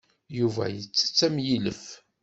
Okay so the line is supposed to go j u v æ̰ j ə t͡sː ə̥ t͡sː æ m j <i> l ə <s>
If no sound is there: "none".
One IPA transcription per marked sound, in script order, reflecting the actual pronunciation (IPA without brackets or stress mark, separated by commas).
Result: i, f